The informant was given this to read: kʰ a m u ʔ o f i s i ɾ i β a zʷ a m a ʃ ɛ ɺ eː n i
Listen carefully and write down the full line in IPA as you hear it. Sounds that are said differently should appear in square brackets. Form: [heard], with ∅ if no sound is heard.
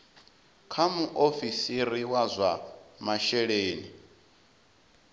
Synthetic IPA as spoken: kʰ a m u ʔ o f i s i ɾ i [w] a zʷ a m a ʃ ɛ ɺ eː n i